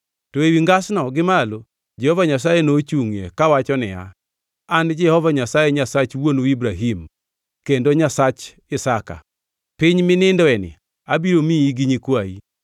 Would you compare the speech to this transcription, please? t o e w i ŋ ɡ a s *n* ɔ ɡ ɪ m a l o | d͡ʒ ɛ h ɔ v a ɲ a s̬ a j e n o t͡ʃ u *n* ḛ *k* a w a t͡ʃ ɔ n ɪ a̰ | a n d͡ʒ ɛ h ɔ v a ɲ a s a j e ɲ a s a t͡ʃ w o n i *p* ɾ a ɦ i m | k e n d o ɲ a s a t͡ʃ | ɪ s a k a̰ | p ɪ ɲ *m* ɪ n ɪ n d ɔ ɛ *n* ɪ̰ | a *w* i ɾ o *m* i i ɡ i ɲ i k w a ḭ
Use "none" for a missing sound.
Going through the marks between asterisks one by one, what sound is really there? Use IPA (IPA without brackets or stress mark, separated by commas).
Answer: n, ŋ, k, b, m, n, b, m